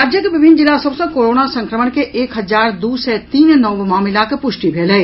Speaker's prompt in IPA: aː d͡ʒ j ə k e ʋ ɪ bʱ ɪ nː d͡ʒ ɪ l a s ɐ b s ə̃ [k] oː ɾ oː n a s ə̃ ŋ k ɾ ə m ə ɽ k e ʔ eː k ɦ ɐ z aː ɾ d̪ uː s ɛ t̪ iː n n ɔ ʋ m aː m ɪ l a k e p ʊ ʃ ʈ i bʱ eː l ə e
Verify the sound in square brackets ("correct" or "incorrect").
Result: correct